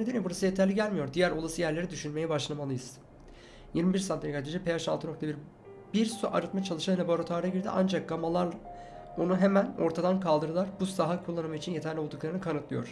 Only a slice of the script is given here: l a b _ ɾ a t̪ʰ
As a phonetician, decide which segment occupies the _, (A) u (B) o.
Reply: B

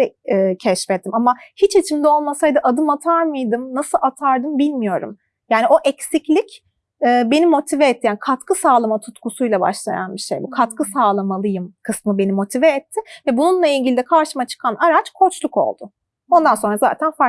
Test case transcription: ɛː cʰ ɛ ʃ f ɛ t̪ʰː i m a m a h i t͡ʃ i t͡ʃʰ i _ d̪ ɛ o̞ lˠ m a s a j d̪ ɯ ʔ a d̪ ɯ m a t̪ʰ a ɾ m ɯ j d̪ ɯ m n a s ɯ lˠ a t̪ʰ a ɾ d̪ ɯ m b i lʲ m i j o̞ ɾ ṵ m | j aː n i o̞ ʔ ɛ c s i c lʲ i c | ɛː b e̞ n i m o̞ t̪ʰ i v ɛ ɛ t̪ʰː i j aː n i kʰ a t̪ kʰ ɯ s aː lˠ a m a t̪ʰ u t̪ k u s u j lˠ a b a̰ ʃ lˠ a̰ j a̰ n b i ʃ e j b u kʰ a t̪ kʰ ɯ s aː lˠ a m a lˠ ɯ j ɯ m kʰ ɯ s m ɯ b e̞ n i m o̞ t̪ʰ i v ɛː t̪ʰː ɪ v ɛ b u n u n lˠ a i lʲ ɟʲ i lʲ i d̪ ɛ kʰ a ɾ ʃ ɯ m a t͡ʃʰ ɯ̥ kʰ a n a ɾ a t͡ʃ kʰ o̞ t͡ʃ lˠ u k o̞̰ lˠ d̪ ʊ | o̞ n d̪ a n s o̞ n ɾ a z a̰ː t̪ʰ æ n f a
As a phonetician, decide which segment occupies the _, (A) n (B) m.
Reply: B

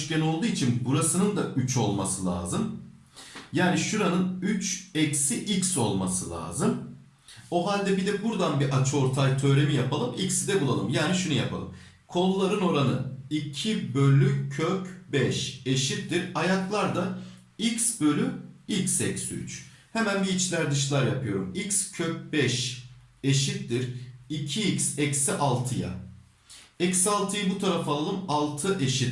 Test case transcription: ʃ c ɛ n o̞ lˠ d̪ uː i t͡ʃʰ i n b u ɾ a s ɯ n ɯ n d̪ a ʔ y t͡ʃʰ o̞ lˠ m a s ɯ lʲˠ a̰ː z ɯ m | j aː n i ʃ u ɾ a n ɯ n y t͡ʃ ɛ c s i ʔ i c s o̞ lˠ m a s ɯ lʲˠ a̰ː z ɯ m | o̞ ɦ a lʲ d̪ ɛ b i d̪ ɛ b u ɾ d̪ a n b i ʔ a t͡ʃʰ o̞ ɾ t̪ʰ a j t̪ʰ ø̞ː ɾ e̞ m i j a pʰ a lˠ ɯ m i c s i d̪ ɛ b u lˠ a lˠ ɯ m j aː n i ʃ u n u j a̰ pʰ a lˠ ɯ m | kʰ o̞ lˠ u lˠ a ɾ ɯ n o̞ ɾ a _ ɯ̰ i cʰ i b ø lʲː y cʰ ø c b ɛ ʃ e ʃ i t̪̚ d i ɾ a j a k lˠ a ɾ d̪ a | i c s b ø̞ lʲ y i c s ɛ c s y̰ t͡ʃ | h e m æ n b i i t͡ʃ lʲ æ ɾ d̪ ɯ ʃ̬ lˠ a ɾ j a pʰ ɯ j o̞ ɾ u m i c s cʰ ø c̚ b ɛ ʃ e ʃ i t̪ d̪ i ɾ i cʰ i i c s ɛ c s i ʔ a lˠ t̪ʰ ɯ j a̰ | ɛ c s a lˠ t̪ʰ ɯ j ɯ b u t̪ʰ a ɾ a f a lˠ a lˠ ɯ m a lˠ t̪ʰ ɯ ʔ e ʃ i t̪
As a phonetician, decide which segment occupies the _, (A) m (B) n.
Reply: B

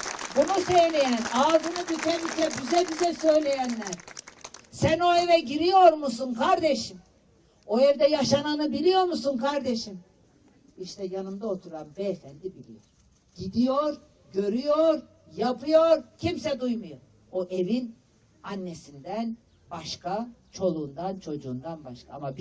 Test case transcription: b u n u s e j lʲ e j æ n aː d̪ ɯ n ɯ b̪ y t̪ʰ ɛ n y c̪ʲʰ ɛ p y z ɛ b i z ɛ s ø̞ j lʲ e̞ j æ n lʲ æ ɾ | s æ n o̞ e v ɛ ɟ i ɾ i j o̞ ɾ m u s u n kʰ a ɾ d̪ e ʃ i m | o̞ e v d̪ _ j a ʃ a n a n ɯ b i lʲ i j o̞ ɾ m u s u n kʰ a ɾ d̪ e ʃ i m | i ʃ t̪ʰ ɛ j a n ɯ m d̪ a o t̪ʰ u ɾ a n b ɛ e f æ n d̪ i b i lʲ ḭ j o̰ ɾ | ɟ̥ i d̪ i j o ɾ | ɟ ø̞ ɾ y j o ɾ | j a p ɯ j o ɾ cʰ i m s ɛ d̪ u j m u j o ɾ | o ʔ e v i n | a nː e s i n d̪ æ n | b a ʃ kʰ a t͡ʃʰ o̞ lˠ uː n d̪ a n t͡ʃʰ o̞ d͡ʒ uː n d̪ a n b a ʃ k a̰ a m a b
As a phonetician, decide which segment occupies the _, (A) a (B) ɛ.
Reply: B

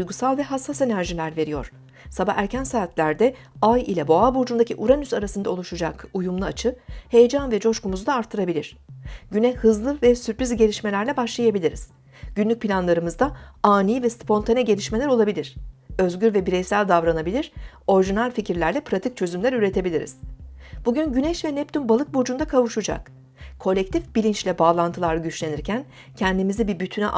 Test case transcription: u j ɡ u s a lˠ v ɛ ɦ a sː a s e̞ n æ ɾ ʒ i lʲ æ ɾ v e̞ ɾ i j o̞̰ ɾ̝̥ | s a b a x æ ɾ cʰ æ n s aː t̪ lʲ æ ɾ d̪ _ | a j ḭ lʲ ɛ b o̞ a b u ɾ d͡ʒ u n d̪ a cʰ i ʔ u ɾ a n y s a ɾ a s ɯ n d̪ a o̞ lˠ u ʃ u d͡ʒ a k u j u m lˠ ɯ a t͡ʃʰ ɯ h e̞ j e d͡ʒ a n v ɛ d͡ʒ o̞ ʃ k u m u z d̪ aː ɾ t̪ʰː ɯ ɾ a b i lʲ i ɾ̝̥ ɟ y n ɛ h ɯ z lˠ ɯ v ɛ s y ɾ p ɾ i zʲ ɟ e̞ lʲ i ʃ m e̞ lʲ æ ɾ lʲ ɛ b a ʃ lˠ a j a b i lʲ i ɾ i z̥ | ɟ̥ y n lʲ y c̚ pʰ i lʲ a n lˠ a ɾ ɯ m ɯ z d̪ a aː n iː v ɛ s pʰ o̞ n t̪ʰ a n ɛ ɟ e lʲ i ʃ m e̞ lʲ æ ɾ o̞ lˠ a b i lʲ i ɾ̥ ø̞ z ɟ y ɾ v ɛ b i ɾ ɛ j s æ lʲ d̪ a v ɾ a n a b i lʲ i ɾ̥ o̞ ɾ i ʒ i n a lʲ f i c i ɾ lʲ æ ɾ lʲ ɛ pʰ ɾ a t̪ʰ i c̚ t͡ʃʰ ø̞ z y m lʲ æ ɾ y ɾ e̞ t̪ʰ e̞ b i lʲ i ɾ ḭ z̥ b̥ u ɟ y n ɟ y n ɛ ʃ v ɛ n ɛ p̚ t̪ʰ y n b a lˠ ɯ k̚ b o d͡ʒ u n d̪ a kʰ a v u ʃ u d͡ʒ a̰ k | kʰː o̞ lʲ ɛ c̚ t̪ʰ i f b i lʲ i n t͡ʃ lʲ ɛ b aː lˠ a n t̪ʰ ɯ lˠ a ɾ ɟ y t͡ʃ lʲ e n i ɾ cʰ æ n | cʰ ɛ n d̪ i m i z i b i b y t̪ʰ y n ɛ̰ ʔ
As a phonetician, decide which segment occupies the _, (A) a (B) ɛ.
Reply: B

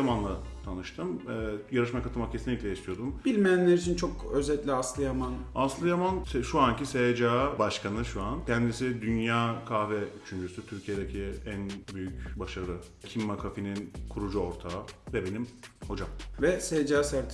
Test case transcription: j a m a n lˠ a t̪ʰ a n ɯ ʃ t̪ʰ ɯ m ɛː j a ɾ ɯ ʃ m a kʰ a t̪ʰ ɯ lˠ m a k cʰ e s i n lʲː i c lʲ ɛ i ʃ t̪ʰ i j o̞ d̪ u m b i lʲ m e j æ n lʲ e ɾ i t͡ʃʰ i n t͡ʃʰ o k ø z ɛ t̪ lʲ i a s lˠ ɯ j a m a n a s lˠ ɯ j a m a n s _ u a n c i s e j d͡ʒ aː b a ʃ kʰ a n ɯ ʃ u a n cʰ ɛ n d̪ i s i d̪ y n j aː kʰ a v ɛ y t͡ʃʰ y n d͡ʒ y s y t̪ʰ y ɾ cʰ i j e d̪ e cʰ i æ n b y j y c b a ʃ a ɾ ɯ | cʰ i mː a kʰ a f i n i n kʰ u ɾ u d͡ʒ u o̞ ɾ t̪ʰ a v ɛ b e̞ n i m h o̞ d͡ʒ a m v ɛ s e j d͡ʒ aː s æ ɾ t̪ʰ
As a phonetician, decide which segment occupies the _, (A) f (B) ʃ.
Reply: B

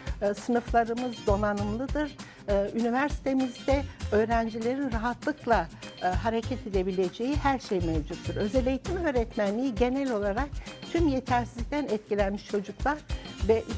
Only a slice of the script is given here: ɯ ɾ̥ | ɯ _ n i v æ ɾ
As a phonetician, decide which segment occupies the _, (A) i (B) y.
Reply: B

